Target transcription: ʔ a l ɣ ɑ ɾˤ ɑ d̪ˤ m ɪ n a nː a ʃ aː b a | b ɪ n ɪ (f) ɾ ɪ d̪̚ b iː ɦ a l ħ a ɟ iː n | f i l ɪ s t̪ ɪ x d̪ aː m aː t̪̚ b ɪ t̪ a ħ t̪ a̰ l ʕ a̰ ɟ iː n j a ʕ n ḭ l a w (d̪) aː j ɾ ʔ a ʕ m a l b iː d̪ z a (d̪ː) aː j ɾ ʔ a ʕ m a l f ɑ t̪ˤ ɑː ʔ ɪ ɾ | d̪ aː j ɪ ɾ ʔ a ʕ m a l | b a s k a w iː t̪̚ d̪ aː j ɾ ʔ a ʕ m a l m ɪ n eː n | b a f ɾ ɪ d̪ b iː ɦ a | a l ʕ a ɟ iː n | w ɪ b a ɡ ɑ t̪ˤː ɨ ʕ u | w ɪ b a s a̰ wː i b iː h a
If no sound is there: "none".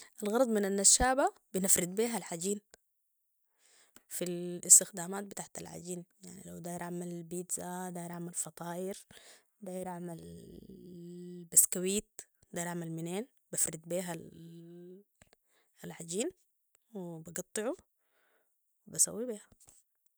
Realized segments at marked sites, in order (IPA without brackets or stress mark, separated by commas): f, d̪, d̪